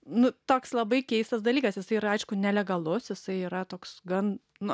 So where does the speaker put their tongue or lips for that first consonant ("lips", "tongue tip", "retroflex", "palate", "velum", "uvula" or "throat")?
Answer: tongue tip